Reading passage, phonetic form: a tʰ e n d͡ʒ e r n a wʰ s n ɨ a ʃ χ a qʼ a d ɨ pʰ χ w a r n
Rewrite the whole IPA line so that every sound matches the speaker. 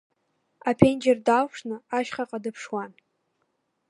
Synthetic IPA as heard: a pʰ e n d͡ʒ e r d a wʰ ʂ n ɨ a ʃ χ a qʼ a d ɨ pʰ ʂ w a n